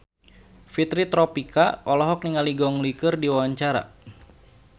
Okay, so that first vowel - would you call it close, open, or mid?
close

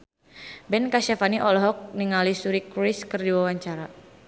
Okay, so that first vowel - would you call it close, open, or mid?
mid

